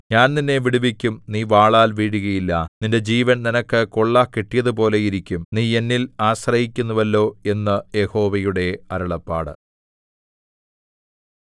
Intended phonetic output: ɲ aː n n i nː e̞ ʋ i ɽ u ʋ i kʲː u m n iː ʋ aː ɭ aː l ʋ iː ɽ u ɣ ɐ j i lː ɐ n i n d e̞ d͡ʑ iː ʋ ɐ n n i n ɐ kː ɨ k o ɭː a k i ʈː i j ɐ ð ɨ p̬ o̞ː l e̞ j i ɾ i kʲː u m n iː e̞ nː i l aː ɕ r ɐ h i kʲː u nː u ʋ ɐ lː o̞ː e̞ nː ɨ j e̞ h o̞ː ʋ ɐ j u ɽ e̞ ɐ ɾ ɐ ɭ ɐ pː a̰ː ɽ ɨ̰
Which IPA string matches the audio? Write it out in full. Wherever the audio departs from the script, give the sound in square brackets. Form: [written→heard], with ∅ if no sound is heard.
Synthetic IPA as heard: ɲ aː n n i nː e̞ ʋ i ɽ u ʋ i kʲː u m n iː ʋ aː ɭ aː l ʋ iː ɽ u ɣ ɐ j i lː ɐ n i n d e̞ d͡ʑ iː ʋ ɐ n n i n ɐ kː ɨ k o ɭː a k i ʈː i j ɐ ð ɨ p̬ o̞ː l e̞ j i ɾ i kʲː u m n iː e̞ nː i l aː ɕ r ɐ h i kʲː u nː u ʋ ɐ lː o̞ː e̞ nː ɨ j e̞ h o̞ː ʋ ɐ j u ɽ e̞ ɐ ɾ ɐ ɭ ɐ pː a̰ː ɽ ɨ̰